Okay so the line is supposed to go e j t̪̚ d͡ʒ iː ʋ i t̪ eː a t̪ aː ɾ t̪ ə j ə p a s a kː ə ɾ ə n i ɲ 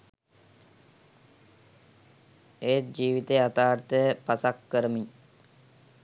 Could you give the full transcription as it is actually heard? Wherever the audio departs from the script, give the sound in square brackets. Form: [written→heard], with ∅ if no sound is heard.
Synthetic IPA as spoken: e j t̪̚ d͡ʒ iː ʋ i t̪ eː a t̪ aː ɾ t̪ ə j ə p a s a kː ə ɾ ə [n→m] i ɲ